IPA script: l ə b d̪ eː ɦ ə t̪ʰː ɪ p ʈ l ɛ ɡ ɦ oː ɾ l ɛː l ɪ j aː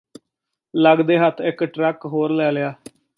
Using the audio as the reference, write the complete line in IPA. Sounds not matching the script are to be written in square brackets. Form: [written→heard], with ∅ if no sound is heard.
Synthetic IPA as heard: l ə [b→ɡ] d̪ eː ɦ ə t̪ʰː ɪ [p→k] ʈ [l→ɾ] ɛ [ɡ→k] ɦ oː ɾ l ɛː l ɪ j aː